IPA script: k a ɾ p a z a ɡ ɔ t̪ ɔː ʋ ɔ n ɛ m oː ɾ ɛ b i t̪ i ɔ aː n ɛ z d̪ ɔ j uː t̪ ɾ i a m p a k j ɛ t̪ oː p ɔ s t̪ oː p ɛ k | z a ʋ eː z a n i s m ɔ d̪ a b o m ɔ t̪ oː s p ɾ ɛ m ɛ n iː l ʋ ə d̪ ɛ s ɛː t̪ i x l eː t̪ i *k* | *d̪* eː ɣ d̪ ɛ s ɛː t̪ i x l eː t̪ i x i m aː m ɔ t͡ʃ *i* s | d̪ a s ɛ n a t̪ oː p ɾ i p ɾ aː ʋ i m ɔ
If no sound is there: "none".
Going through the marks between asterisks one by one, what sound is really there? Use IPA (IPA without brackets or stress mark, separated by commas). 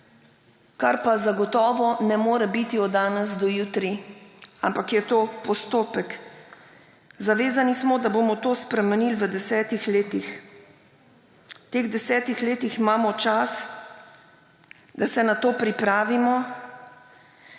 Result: x, t̪, a